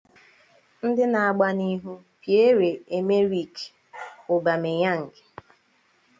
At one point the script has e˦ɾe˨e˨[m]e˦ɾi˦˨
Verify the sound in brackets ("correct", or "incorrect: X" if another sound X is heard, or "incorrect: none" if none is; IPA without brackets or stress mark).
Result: correct